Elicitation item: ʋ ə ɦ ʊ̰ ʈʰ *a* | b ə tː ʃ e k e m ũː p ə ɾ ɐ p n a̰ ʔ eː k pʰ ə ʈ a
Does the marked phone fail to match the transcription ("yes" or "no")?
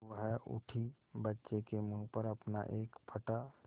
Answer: yes